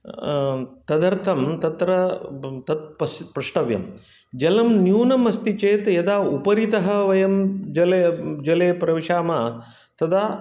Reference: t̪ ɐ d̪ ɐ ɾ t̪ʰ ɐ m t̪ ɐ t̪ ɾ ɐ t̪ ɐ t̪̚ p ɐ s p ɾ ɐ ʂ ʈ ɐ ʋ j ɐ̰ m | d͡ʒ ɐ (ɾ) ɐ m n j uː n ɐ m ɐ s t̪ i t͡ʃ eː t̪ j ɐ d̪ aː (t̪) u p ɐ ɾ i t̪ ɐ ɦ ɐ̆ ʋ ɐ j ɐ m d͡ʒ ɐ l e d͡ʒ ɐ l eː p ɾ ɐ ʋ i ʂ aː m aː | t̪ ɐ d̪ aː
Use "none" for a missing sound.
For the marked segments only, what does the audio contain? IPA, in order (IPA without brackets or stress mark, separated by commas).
l, none